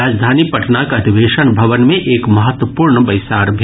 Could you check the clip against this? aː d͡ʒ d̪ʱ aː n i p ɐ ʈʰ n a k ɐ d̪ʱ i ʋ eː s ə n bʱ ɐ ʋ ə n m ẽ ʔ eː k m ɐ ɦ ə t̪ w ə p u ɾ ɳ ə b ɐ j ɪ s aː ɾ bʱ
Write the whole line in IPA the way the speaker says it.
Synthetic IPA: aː d͡ʒ d̪ʱ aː n i p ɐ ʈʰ n a k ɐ d̪ʱ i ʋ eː ʃ ə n bʱ ɐ ʋ ə n m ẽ ʔ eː k m ɐ ɦ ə t̪ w ə p uː ɾ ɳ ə b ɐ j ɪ s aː ɾ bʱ

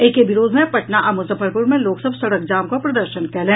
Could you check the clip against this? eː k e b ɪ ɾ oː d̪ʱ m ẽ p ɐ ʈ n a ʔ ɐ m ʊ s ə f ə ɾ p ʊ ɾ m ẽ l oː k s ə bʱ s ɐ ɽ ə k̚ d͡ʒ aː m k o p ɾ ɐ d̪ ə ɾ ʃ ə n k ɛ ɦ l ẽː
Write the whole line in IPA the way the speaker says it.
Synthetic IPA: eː k e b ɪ ɾ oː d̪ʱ m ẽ p ɐ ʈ n a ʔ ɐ m ʊ s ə f ə ɾ p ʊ ɾ m ẽ l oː k s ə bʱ s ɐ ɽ ə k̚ d͡ʒ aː m k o p ɾ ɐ d̪ ə ɾ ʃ ə n k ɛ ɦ l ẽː

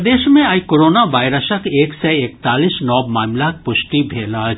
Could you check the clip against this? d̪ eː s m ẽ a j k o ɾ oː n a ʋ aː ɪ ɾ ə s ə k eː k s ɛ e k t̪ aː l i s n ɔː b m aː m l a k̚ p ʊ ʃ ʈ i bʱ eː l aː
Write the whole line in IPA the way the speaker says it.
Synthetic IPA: d̪ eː ʃ m ẽ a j k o ɾ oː n a ʋ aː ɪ ɾ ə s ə k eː k s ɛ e k t̪ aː l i s n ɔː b m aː m l a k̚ p ʊ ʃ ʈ i bʱ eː l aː

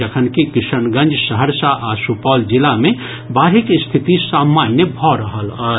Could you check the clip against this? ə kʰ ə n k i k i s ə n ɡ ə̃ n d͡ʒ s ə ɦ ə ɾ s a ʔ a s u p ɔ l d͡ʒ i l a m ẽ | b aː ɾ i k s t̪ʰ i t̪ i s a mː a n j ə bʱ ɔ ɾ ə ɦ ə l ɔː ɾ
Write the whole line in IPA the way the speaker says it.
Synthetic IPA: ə kʰ ə n k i k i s ə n ɡ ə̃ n d͡ʒ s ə ɦ ə ɾ s a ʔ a s u p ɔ l d͡ʒ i l a m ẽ | b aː ɾ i k s t̪ʰ i t̪ i s a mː a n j ə bʱ ɔ ɾ ə ɦ ə l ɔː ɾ

